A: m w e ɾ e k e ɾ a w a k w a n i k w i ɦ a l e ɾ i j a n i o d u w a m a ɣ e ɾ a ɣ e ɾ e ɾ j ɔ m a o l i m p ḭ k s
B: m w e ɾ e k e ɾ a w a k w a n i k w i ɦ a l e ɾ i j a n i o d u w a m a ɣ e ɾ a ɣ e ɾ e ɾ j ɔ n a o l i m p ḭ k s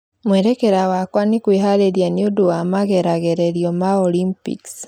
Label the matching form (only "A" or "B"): A